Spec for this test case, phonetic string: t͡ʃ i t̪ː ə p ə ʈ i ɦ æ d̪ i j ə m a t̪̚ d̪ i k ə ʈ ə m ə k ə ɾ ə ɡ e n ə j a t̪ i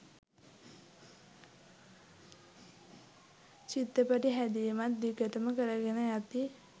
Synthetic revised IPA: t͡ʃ i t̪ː ə p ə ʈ i ɦ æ d̪ i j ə m a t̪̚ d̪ i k ə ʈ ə m ə k ə ɾ ə ɡ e n ə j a t̪ i

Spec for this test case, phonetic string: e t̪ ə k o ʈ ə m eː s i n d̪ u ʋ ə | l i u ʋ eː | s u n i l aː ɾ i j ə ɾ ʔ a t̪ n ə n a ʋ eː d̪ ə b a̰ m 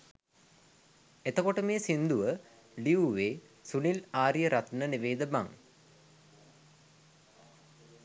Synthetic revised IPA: e t̪ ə k o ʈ ə m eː s i n d̪ u ʋ ə | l i u ʋ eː | s u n i l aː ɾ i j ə ɾ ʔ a t̪ n ə n i ʋ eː d̪ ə b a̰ ŋ

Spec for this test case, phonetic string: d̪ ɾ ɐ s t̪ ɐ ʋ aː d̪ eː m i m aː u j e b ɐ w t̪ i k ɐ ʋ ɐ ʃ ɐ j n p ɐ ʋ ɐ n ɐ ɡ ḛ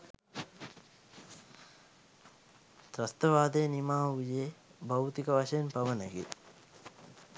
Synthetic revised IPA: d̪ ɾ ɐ s t̪ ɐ ʋ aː d̪ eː n i m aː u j e b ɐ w t̪ i k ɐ ʋ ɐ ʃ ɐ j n p ɐ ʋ ɐ n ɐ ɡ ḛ

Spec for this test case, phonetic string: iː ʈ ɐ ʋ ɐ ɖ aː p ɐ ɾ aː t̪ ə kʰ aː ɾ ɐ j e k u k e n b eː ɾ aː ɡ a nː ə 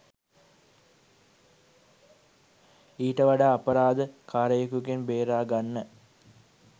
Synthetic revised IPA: iː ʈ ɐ ʋ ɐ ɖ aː p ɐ ɾ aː d̪ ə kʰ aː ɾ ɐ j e k u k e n b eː ɾ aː ɡ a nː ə

